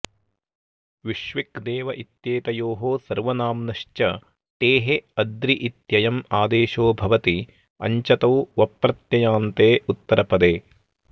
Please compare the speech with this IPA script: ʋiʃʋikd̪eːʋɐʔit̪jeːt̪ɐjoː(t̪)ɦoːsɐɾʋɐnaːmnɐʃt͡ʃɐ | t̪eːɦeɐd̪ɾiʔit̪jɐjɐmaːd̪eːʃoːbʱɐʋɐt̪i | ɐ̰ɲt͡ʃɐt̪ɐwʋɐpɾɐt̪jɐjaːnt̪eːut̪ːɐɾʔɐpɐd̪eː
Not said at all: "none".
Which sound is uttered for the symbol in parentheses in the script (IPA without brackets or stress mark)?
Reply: none